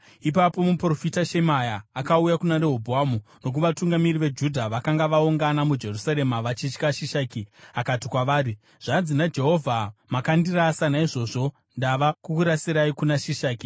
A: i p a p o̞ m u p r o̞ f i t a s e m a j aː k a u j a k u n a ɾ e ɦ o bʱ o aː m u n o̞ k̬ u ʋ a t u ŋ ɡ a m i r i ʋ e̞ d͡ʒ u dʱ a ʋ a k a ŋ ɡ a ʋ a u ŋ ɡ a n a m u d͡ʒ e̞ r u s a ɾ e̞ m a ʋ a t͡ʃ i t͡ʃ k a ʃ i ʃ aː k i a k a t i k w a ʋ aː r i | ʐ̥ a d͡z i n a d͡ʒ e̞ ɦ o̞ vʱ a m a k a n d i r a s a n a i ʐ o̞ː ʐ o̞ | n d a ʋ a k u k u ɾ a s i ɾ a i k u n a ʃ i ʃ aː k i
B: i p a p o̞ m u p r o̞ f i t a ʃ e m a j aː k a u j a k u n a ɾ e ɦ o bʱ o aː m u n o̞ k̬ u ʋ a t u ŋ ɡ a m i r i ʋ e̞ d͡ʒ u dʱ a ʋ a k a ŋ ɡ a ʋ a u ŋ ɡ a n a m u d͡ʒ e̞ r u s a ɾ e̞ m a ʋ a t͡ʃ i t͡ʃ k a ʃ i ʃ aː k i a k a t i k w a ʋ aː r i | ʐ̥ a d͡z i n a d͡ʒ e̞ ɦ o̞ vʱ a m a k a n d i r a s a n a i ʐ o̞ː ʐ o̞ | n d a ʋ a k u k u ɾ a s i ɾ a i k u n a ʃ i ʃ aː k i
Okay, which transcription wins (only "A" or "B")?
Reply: B